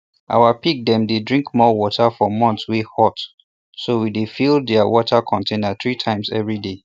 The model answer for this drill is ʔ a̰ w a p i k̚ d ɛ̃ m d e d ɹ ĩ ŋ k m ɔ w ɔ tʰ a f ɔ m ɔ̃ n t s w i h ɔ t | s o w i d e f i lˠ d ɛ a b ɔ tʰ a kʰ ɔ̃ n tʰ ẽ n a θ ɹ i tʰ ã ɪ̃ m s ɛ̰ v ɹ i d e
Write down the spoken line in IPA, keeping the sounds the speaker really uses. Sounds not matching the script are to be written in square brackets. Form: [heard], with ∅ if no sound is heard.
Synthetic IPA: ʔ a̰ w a p i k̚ d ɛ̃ m d e d ɹ ĩ ŋ k m ɔ w ɔ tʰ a f ɔ m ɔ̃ n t s w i h ɔ t | s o w i d e f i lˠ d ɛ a [w] ɔ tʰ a kʰ ɔ̃ n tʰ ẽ n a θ ɹ i tʰ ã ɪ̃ m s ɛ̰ v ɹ i d e